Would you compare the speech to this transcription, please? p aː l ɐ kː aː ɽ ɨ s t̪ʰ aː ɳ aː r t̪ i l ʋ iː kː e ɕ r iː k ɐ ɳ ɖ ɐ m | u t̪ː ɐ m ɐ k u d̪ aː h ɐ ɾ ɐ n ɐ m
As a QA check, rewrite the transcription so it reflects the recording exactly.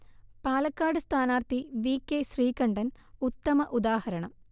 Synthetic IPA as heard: p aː l ɐ kː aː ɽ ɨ s t̪ʰ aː n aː r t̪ i ʋ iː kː e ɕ r iː k ɐ ɳ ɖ ɐ n | u t̪ː ɐ m ɐ ʔ u d̪ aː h ɐ ɾ ɐ ɳ ɐ m